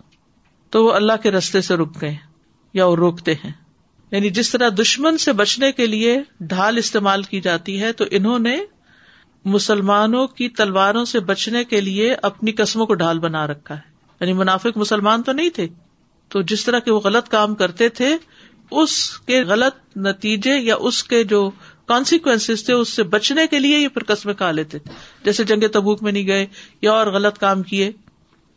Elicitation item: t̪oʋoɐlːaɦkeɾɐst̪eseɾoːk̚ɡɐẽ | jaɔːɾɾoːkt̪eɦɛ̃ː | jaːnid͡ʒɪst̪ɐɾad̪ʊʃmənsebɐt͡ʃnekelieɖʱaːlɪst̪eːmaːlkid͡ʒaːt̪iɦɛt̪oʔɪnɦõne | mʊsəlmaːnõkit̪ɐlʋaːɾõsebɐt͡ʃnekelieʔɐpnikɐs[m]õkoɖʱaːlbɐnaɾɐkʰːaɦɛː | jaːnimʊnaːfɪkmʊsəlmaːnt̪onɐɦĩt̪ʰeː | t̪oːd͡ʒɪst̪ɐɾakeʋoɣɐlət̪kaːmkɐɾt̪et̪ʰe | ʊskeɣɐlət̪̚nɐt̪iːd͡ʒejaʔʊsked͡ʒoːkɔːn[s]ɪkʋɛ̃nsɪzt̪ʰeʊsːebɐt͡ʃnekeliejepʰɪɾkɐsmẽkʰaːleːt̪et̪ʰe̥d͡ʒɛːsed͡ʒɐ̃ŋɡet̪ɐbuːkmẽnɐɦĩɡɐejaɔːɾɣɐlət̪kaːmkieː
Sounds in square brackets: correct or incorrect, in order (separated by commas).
correct, correct